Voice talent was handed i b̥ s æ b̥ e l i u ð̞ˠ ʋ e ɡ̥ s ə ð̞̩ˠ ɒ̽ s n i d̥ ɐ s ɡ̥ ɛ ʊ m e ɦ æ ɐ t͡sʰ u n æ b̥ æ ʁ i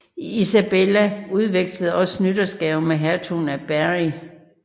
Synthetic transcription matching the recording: i s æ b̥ e l æ u ð̞ˠ ʋ e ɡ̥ s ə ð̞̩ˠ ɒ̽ s n y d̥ ɐ s ɡ̥ ɛ ʊ m e ɦ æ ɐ t͡sʰ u n æ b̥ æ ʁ i